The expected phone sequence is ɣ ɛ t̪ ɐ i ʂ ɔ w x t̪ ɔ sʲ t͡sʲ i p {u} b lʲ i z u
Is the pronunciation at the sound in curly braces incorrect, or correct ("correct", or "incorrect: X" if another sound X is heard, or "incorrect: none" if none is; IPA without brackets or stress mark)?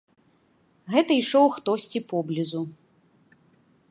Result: incorrect: ɔ